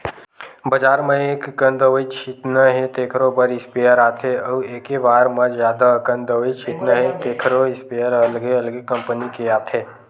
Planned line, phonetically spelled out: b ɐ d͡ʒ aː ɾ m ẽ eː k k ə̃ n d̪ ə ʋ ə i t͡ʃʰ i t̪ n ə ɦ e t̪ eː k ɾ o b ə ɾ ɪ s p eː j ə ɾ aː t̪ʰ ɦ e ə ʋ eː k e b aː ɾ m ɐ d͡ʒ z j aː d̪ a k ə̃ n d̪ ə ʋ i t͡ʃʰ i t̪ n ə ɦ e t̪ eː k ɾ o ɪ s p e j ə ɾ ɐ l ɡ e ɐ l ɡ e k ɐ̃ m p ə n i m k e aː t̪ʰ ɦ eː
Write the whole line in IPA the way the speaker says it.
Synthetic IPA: b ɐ d͡ʒ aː ɾ m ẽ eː k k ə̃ n d̪ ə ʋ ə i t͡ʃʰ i t̪ n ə ɦ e t̪ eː kʰ ɾ o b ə ɾ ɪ s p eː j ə ɾ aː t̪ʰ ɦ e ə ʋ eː k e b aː ɾ m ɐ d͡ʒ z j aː d̪ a k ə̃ n d̪ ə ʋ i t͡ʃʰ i t̪ n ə ɦ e t̪ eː kʰ ɾ o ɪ s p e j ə ɾ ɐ l ɡ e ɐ l ɡ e k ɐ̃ m p ə n i k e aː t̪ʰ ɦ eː